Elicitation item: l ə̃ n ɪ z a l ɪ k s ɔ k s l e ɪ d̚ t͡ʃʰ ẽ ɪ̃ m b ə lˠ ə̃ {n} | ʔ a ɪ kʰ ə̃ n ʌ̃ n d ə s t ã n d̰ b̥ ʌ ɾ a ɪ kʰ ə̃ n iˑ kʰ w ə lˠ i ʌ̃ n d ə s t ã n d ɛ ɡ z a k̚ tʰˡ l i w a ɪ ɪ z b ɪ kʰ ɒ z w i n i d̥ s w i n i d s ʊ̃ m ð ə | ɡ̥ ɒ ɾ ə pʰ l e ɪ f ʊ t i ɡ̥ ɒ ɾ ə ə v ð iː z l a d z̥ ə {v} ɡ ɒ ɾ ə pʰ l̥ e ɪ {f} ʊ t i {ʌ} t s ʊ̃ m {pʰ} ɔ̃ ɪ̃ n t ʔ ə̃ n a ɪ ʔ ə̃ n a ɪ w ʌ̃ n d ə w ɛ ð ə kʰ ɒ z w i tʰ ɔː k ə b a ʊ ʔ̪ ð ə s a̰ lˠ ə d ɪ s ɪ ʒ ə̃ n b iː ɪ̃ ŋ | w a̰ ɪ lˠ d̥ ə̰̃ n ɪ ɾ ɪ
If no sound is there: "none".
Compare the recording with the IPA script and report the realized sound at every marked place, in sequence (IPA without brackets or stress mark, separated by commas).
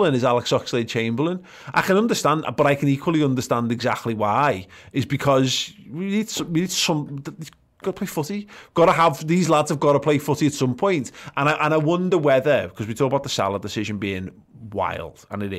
n, v, f, ə, pʰ